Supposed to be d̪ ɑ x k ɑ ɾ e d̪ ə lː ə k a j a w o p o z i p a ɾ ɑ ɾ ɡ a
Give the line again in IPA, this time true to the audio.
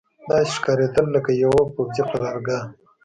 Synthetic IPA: d̪ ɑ ʃ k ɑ ɾ e d̪ ə lː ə k a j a w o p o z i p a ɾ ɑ ɾ ɡ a